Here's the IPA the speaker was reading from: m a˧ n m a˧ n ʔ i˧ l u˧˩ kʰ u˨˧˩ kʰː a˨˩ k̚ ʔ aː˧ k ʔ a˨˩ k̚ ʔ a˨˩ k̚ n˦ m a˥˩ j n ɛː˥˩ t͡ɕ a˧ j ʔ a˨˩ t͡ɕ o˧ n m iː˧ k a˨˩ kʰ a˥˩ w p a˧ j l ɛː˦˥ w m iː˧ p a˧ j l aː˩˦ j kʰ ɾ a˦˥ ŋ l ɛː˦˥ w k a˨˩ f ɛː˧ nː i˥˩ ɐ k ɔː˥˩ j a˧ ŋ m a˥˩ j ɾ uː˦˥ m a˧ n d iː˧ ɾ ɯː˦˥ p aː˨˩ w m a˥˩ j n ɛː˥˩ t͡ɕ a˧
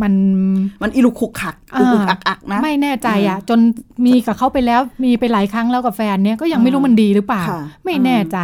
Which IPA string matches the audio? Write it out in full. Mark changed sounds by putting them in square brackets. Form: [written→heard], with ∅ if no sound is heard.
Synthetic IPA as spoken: m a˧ n m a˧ n ʔ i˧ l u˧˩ kʰ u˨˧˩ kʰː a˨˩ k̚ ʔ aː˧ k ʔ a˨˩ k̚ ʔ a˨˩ k̚ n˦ m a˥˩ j n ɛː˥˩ t͡ɕ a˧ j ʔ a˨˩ t͡ɕ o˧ n m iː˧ k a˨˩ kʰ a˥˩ w p a˧ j l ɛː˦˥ w m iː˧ p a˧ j l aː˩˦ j kʰ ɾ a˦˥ ŋ l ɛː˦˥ w k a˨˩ f ɛː˧ nː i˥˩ ɐ k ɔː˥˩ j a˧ ŋ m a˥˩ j ɾ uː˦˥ m a˧ n d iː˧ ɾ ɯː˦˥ p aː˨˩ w m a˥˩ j n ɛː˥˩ t͡ɕ a˧